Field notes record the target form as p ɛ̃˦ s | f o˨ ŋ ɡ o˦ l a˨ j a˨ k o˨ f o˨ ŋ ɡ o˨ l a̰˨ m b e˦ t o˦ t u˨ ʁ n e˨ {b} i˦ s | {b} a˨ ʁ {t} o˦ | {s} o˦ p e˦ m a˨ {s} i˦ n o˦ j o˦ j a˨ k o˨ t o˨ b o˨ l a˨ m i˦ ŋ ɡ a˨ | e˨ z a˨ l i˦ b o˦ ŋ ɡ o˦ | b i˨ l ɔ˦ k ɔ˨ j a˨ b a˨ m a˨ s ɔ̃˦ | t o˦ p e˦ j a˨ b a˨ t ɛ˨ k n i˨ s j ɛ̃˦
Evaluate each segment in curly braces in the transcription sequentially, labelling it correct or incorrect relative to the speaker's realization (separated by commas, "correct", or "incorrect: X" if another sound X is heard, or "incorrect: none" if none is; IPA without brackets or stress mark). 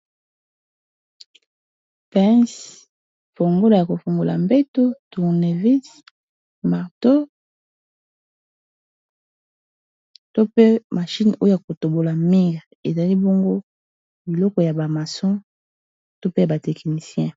incorrect: v, incorrect: m, correct, incorrect: t, incorrect: ʃ